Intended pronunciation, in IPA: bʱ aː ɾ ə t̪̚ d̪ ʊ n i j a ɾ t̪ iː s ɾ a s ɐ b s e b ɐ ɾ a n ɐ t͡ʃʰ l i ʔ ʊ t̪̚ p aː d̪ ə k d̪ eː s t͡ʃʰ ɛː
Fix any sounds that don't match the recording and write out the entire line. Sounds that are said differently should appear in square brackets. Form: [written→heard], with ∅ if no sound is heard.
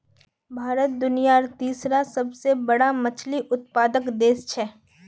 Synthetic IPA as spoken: bʱ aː ɾ ə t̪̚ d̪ ʊ n i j a ɾ t̪ iː s ɾ a s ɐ b s e b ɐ [ɾ→ɽ] a [n→m] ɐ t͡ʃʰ l i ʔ ʊ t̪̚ p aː d̪ ə k d̪ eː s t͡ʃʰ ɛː